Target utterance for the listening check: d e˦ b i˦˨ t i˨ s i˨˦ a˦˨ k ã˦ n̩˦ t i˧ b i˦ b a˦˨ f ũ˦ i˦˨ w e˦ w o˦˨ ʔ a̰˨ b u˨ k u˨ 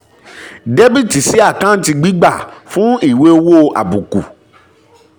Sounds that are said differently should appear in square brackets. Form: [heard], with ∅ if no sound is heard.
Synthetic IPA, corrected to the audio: d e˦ b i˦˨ t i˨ s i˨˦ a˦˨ k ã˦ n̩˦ t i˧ [ɡ͡b] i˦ [ɡ͡b] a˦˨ f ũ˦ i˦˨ w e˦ w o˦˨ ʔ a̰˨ b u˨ k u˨